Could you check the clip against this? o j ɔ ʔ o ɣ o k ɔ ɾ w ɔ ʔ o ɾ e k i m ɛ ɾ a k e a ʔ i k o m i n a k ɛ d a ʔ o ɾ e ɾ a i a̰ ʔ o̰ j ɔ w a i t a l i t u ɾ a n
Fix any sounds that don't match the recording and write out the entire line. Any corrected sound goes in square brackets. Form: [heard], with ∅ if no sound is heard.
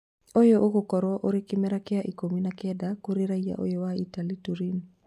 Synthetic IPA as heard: o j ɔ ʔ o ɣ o k ɔ ɾ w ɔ ʔ o ɾ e k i m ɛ ɾ a k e a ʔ i k o m i n a k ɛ d a [k] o ɾ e ɾ a i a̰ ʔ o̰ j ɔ w a i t a l i t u ɾ [i] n

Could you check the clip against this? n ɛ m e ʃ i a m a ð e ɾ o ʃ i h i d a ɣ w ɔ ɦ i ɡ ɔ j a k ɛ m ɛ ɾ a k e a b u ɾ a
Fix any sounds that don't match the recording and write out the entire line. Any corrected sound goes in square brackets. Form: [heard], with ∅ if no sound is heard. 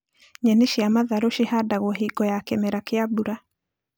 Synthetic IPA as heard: [ɲ] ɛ [n] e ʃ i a m a ð [a] ɾ o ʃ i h [a] d a ɣ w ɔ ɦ i ɡ ɔ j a k ɛ m ɛ ɾ a k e a b u ɾ a

